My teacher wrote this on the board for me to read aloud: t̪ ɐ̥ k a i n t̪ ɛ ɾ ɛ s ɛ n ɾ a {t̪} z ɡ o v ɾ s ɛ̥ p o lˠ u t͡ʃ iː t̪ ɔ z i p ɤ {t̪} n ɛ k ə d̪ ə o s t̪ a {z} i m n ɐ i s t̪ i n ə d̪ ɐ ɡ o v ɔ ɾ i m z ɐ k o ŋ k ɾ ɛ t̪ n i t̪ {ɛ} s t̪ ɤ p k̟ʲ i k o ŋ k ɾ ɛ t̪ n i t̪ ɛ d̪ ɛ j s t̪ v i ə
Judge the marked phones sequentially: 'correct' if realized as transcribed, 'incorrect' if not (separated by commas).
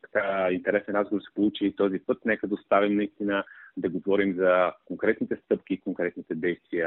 incorrect, correct, incorrect, correct